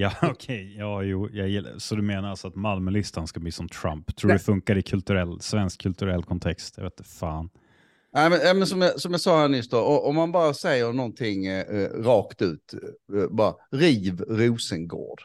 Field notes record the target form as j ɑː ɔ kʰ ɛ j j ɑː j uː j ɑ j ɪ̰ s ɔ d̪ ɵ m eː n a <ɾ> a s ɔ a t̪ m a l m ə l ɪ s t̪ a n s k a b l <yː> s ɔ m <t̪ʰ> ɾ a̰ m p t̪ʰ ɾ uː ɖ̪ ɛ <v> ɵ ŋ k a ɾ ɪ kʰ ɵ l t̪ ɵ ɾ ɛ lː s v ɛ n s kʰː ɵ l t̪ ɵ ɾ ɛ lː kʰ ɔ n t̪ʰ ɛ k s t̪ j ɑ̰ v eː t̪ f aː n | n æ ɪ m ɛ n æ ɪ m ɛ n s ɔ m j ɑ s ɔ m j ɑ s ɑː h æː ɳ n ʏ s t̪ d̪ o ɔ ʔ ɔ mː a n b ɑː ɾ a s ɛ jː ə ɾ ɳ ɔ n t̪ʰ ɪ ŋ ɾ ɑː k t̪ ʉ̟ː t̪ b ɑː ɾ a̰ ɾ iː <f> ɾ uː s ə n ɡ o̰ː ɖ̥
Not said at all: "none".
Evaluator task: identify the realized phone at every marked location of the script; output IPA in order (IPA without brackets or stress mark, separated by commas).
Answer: ɾ, iː, t̪ʰ, f, v